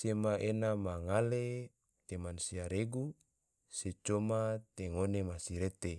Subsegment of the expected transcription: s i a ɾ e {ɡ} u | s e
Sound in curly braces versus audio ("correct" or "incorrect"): correct